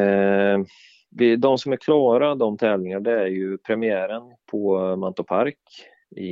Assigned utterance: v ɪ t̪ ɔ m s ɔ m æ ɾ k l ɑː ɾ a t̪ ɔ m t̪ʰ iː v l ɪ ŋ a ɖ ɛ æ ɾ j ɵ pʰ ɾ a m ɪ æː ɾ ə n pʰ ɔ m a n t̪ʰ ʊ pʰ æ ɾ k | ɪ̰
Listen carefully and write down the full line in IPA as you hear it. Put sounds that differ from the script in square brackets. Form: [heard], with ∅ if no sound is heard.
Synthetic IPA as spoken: v ɪ [d̪] ɔ m s ɔ m æ ɾ [kʰ] l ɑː ɾ a [d̪] ɔ m t̪ʰ [ɛː] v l ɪ ŋ a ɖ ɛ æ ɾ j ɵ pʰ ɾ [ɛ] m ɪ æː ɾ ə n pʰ ɔ m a n [t̪] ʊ pʰ [a] ɾ k | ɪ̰